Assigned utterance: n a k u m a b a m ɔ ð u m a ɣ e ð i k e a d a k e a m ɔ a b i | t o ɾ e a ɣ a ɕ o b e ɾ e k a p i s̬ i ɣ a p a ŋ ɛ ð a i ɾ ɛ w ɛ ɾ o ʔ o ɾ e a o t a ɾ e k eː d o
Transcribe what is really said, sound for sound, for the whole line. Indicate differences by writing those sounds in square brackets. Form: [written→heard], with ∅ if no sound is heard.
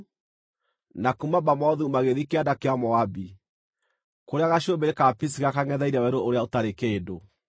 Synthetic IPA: n a k u m a b a m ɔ ð u m a ɣ e ð i k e a d a k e a m ɔ a b i | [t→k] o ɾ e a ɣ a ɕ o b e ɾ e k a p i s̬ i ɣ a [p→k] a ŋ ɛ ð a i ɾ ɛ w ɛ ɾ o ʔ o ɾ e a o t a ɾ e k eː d o